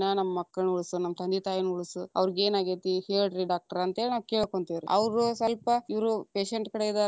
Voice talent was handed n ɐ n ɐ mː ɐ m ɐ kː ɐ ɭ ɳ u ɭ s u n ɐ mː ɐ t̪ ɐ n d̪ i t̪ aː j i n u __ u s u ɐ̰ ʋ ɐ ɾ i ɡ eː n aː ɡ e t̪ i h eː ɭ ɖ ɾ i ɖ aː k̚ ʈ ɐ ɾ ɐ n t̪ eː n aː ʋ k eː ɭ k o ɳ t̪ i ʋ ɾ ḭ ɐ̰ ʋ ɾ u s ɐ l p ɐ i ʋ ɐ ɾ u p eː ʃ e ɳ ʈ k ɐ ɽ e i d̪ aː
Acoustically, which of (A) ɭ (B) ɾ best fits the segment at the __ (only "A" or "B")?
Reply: A